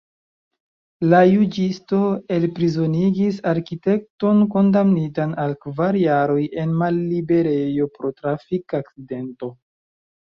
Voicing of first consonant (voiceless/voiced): voiced